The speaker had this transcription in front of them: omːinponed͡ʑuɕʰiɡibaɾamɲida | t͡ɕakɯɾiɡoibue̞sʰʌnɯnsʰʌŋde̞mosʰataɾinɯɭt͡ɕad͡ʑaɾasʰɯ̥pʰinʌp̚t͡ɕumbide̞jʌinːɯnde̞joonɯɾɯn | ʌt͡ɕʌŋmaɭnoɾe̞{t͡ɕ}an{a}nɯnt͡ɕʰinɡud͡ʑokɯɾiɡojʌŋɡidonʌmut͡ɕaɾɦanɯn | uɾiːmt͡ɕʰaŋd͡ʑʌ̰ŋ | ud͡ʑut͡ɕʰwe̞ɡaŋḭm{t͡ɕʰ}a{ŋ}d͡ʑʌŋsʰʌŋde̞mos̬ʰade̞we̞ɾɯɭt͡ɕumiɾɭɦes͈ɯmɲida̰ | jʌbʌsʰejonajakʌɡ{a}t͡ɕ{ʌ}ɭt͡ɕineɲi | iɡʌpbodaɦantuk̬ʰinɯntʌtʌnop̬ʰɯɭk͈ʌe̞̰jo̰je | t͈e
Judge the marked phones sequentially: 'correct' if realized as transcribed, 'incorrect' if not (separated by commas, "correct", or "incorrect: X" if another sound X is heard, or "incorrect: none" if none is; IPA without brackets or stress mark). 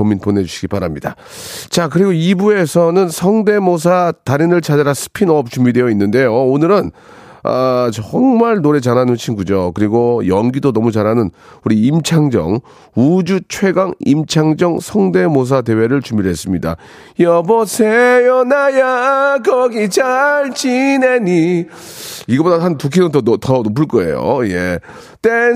correct, correct, correct, correct, incorrect: i, incorrect: a